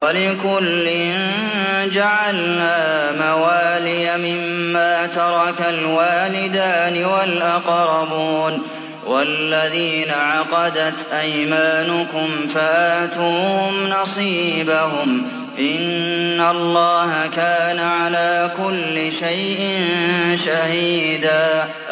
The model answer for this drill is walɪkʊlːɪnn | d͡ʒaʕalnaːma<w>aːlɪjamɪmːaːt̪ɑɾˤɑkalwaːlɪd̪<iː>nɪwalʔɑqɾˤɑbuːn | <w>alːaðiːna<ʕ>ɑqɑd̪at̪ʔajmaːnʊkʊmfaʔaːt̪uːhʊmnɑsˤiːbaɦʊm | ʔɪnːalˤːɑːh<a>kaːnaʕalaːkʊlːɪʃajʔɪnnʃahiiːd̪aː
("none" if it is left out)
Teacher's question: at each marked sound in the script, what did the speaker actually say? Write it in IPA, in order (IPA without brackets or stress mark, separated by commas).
w, aː, w, ʕ, a